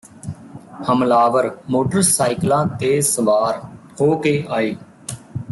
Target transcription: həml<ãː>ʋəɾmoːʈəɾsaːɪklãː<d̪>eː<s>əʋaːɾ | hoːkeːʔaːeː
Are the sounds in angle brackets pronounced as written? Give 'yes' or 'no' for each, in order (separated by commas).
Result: no, no, yes